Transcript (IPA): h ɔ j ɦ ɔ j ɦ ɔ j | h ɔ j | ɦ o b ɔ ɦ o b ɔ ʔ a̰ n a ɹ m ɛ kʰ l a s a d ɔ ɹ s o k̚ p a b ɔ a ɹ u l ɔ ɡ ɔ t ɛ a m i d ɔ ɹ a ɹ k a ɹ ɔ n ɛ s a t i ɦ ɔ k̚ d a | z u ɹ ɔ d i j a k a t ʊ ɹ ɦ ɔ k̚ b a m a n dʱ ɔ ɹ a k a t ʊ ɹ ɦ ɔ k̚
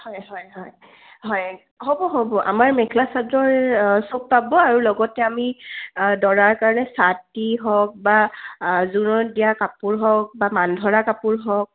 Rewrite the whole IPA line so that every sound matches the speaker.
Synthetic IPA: h ɔ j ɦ ɔ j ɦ ɔ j | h ɔ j | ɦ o b ɔ ɦ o b ɔ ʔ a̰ m a ɹ m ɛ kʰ l a s a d ɔ ɹ s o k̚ p a b ɔ a ɹ u l ɔ ɡ ɔ t ɛ a m i d ɔ ɹ a ɹ k a ɹ ɔ n ɛ s a t i ɦ ɔ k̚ b a | z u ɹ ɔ d i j a k a p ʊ ɹ ɦ ɔ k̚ b a m a n dʱ ɔ ɹ a k a p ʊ ɹ ɦ ɔ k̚